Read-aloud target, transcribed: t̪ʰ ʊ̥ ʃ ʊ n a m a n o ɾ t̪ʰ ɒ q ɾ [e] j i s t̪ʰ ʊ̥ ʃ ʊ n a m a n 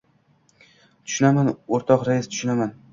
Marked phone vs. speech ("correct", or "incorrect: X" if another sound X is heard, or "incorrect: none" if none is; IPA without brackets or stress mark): incorrect: a